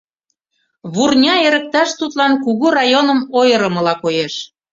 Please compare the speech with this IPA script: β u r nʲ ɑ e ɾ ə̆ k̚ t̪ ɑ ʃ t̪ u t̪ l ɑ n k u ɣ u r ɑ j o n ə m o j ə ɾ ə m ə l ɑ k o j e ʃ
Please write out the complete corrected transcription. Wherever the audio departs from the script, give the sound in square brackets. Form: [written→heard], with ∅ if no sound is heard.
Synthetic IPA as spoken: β u r nʲ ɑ e ɾ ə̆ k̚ t̪ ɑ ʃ t̪ u t̪ l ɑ n k u ɣ u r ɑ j o n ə m o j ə ɾ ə m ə l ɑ k o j e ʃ